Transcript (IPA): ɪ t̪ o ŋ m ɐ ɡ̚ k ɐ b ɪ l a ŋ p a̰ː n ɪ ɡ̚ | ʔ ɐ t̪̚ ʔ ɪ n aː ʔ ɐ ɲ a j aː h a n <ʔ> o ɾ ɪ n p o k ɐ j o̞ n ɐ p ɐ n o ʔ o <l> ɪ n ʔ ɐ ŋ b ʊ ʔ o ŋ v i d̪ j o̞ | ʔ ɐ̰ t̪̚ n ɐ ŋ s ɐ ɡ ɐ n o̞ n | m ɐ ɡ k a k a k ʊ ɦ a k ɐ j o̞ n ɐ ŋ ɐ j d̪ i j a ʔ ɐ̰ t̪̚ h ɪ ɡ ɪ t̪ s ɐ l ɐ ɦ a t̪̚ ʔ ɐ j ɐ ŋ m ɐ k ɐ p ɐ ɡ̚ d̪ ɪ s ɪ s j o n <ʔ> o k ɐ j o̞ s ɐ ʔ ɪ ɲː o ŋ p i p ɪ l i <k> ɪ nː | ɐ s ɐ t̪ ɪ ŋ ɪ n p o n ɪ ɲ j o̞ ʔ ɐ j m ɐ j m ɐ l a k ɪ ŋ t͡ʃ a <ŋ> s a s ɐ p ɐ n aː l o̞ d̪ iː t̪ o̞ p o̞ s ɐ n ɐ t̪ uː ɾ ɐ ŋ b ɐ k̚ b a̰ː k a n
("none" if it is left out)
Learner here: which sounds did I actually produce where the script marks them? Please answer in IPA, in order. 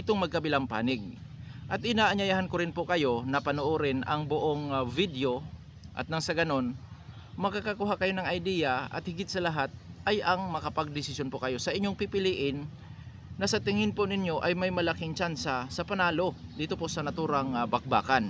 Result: k, ɾ, p, ʔ, n

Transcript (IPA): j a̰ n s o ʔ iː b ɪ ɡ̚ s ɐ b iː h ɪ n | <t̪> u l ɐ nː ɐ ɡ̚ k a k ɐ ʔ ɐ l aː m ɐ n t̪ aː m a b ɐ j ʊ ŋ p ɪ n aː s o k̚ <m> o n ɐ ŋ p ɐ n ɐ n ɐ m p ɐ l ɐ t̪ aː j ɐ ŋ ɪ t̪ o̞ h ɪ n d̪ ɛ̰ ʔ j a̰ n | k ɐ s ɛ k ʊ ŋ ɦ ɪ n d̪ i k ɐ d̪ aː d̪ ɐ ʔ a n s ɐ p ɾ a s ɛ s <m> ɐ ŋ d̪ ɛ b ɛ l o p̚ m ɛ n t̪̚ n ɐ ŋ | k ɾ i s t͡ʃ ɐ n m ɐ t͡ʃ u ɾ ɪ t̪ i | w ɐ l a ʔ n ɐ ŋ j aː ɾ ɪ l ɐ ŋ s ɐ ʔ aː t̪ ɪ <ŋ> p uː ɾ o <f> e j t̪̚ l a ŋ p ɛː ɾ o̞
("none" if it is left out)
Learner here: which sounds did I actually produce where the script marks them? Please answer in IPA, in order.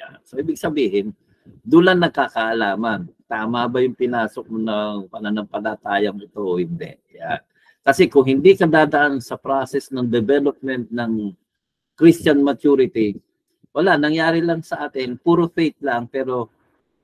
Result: d̪, m, n, n, f

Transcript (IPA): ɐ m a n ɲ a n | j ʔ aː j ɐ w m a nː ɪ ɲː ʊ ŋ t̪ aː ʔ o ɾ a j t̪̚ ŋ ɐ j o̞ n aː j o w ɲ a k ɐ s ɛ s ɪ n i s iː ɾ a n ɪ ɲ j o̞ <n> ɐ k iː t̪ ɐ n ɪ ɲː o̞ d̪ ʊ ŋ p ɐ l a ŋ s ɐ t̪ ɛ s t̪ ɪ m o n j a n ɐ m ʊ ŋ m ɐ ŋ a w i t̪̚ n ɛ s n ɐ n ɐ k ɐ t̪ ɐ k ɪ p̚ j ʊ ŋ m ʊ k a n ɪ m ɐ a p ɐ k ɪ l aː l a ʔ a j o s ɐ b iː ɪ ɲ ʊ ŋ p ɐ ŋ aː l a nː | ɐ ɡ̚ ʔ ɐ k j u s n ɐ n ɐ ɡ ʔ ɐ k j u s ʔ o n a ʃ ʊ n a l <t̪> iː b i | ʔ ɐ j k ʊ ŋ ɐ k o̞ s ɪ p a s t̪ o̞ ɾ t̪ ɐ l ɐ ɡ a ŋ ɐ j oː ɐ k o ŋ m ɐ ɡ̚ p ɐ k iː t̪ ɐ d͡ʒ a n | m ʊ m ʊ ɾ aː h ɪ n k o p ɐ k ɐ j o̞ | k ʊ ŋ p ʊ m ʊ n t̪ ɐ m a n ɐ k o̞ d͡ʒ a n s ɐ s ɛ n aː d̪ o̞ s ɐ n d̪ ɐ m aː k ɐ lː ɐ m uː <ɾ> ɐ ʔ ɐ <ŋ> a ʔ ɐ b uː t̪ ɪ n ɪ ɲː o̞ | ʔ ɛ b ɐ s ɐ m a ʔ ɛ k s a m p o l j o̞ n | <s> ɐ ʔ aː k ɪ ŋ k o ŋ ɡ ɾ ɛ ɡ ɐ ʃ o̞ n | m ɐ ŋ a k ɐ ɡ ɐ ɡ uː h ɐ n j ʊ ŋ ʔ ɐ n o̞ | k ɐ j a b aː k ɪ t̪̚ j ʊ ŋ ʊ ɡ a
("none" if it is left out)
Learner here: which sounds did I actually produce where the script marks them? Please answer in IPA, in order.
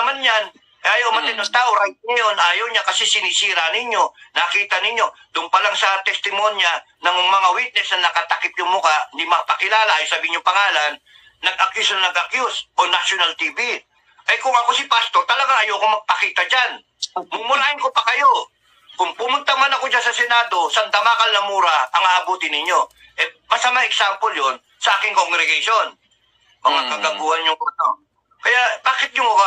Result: n, t̪, ɾ, ŋ, s

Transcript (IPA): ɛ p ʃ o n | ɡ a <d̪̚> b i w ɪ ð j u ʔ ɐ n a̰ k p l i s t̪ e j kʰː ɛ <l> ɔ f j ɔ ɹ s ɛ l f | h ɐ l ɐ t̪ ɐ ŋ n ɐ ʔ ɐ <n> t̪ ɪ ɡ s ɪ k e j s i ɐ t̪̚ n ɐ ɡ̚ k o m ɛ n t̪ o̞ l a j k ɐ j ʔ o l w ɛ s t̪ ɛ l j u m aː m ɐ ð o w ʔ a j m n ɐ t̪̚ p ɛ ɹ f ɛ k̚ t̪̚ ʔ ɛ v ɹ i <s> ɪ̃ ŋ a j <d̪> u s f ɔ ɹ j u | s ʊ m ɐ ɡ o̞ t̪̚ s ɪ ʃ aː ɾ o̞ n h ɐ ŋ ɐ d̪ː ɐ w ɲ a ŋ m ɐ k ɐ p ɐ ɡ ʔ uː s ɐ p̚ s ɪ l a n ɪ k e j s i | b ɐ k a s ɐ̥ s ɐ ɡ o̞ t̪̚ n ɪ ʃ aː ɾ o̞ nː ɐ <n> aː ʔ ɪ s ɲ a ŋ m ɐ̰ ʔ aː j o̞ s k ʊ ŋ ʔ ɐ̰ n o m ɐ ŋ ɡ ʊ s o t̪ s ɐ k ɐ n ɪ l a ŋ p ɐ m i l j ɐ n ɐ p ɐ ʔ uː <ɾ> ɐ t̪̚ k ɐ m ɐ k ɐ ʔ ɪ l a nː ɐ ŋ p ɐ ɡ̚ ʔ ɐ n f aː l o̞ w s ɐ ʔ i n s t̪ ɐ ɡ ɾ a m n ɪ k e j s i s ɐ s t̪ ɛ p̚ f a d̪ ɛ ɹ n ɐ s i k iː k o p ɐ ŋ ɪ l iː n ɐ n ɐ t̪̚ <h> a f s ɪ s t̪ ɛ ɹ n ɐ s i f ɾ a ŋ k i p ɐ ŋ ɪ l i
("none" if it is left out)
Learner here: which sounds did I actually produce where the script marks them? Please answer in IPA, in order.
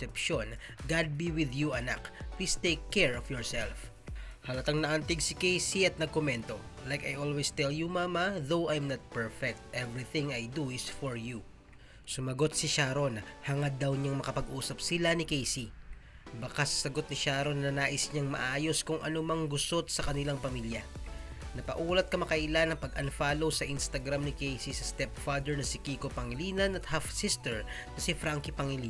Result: d̪̚, ɹ, n, θ, d̪, n, l, h

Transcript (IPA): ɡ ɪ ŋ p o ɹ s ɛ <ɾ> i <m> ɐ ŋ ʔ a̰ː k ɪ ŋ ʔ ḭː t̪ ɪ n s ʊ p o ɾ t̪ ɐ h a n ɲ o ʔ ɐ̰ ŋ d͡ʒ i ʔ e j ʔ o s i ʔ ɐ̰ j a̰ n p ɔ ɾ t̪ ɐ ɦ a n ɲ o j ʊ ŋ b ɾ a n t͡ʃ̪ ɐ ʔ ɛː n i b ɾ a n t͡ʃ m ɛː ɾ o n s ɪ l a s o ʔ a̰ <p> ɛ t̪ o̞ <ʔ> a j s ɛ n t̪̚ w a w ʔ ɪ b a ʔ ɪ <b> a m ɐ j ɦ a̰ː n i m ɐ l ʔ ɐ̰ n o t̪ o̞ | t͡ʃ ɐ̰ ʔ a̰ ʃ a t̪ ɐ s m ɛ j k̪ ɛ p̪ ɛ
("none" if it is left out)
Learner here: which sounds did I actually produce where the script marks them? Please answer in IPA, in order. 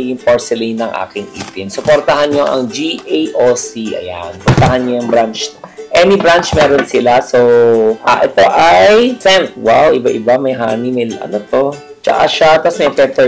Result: l, n, ʔ, ʔ, b

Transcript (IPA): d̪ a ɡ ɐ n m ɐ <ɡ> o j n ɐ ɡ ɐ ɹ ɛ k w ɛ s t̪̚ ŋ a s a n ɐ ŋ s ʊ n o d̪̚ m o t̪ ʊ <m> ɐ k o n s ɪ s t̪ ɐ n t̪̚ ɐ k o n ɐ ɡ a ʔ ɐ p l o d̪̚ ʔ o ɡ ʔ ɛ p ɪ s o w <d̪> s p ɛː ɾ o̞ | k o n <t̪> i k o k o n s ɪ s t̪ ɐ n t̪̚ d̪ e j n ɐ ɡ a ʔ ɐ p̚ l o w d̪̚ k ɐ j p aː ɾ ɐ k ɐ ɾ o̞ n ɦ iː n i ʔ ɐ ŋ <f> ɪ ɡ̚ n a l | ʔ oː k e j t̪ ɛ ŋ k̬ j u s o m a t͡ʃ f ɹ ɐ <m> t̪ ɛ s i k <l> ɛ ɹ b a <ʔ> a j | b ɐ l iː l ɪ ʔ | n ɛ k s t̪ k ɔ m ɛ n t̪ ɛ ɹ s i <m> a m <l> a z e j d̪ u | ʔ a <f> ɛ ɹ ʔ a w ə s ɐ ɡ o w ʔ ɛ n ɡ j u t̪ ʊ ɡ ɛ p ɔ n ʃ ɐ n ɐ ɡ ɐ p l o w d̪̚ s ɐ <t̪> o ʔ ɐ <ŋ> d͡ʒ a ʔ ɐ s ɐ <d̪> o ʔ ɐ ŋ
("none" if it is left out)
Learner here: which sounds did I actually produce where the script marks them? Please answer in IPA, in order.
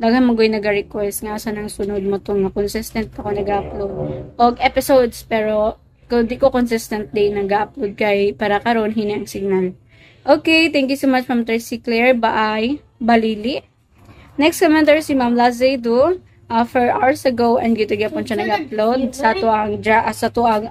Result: ɡ, ŋ, d̪, d̪, s, m, l, ʔ, m, l, f, t̪, ŋ, t̪

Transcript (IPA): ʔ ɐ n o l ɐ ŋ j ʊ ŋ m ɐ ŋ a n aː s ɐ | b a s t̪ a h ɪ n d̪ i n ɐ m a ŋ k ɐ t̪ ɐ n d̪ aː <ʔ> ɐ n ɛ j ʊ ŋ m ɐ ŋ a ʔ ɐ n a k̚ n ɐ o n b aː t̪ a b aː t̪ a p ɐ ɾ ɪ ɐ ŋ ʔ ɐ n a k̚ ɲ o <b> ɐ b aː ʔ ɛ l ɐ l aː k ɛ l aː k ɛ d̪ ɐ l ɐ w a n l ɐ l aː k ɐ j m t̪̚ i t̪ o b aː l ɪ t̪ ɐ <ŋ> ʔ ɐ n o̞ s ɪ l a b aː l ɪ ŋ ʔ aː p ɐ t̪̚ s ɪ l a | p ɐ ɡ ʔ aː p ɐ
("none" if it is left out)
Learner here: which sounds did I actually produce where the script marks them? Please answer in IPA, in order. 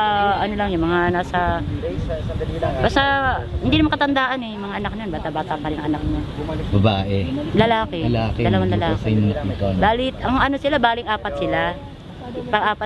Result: ʔ, b, ŋ

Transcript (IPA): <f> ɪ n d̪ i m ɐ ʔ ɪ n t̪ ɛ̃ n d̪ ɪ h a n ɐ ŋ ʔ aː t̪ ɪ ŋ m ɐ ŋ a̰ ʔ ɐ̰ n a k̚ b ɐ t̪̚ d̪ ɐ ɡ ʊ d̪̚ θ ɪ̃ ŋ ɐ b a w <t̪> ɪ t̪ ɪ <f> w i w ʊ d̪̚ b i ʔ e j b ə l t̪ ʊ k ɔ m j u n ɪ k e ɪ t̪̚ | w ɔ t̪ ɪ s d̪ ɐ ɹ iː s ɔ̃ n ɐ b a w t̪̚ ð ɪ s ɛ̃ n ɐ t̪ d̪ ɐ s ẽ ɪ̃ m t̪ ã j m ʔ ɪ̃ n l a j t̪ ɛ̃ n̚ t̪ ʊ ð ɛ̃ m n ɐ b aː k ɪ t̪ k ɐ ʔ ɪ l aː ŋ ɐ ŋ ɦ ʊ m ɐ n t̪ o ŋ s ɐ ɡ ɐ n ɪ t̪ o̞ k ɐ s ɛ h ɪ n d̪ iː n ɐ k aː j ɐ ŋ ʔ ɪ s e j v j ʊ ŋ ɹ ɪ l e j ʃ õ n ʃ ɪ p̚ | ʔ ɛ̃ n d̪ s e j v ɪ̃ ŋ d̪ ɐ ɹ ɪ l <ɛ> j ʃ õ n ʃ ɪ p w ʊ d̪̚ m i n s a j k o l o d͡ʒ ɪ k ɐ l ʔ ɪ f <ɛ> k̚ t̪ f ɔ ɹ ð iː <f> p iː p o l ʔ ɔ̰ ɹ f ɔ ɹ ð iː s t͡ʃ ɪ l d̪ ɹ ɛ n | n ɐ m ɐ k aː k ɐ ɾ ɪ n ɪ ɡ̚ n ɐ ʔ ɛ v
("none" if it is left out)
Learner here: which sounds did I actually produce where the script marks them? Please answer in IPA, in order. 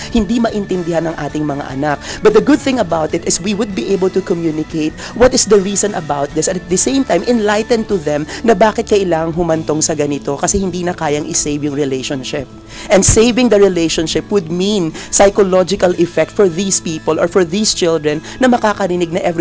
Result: h, t̪, s, e, ɛ, s

